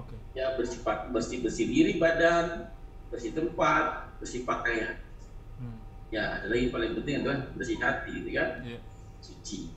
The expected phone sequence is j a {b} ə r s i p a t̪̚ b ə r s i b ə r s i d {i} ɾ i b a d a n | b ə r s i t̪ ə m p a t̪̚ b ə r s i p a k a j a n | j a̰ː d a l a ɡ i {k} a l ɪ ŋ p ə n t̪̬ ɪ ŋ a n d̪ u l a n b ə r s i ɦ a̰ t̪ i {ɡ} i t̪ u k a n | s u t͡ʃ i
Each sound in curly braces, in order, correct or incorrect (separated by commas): correct, correct, incorrect, correct